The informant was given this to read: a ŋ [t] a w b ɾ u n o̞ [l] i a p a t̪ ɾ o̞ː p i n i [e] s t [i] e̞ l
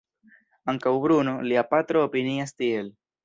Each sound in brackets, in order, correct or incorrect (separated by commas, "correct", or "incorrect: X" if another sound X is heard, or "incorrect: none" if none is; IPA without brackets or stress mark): incorrect: k, correct, incorrect: a, correct